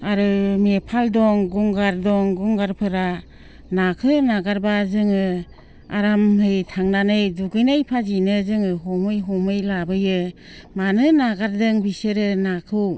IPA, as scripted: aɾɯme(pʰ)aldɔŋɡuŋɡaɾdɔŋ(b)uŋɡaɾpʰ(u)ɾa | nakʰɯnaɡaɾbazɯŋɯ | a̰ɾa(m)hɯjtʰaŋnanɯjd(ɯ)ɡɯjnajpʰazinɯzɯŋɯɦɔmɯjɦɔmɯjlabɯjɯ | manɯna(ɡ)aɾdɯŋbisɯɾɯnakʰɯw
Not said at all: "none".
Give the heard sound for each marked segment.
pʰ, ɡ, ɯ, m, u, ɡ

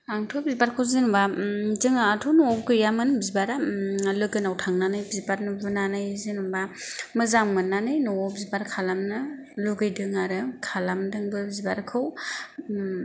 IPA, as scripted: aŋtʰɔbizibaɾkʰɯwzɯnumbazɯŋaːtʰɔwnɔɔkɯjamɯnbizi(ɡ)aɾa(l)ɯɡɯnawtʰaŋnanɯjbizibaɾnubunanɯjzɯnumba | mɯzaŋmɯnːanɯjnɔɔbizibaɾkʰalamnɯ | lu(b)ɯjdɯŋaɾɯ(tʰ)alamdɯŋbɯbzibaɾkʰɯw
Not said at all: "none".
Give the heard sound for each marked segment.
b, l, ɡ, kʰ

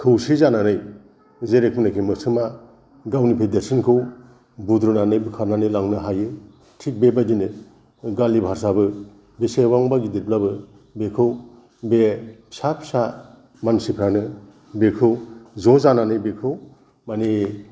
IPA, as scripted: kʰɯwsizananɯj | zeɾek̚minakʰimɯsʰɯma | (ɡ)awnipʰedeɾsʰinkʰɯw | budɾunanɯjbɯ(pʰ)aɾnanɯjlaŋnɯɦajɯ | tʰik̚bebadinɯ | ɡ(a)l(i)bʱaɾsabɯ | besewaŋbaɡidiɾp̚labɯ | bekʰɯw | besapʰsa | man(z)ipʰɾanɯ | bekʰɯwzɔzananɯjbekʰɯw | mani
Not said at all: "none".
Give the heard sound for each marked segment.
ɡ, kʰ, a, i, s

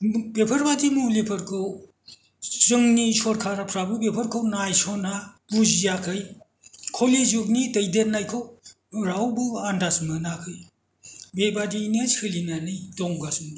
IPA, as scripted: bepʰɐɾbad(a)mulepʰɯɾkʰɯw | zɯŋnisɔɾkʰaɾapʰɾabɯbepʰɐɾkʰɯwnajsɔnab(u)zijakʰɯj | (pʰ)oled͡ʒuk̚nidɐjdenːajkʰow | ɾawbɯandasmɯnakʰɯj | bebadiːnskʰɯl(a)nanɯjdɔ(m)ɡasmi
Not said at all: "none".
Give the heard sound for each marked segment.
i, u, kʰ, i, ŋ

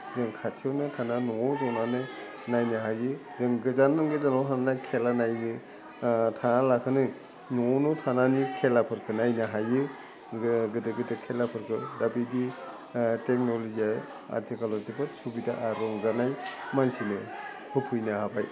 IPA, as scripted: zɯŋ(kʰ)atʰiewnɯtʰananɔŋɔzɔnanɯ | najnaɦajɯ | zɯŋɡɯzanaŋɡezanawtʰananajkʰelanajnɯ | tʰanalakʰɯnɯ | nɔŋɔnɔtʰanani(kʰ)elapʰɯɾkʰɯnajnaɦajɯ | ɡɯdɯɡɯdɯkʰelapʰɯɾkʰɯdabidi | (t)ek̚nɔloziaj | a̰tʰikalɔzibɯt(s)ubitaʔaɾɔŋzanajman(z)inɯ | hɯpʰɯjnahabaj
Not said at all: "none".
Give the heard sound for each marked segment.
kʰ, kʰ, t, s, s

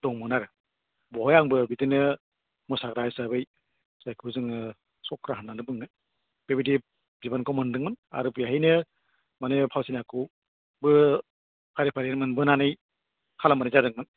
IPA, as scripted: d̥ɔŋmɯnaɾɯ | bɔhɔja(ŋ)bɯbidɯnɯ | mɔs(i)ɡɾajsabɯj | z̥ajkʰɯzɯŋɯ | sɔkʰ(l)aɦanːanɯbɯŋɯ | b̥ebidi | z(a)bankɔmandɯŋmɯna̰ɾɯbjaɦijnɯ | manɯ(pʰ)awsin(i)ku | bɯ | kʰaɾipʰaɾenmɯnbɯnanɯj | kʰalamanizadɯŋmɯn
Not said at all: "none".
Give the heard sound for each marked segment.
ŋ, a, ɾ, i, pʰ, a

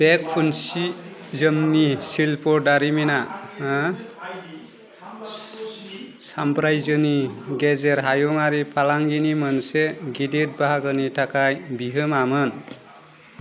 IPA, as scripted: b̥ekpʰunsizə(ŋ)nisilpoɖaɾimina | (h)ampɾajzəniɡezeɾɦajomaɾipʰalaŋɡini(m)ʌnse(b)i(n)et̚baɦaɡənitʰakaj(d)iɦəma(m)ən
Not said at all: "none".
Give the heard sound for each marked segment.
m, s, m, ɡ, d, b, m

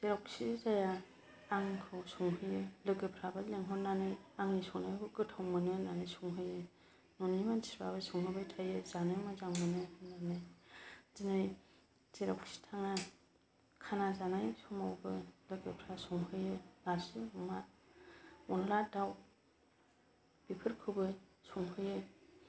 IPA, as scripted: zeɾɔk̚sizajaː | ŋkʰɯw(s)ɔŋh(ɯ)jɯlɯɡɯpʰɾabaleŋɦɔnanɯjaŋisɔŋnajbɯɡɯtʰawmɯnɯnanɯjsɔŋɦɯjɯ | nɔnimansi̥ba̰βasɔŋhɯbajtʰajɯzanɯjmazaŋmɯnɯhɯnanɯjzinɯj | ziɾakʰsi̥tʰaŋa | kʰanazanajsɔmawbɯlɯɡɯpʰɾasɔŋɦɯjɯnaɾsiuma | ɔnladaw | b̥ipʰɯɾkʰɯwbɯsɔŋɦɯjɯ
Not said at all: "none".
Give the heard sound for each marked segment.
s, ɯ

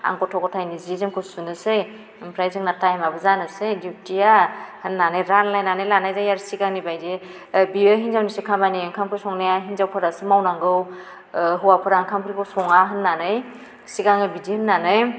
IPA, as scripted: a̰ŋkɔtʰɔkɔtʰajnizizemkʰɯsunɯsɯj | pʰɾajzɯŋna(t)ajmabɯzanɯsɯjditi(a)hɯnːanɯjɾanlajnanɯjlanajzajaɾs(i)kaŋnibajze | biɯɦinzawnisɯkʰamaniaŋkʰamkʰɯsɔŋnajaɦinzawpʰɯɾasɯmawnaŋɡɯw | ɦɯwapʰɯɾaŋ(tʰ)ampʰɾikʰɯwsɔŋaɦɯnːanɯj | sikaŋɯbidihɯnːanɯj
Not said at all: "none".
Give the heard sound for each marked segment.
t, a, i, kʰ

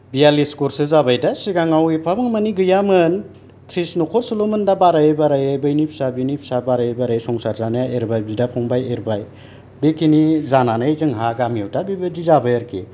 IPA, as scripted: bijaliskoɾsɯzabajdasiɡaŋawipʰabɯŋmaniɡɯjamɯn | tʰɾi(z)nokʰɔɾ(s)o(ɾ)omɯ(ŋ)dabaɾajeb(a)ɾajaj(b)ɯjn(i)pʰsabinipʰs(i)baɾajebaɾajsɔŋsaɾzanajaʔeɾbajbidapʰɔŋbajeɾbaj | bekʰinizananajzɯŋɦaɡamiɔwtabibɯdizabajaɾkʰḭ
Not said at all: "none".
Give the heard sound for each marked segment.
s, s, l, n, a, b, i, a

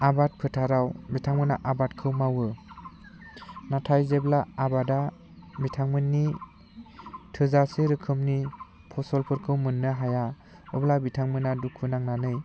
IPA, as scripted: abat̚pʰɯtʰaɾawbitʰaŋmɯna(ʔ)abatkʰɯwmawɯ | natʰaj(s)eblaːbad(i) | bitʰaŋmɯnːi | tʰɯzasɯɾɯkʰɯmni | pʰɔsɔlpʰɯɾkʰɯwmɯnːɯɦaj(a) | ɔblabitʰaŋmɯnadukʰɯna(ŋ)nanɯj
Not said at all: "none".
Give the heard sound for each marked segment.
ʔ, z, a, a, ŋ

